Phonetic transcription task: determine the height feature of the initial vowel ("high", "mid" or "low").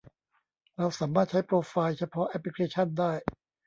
low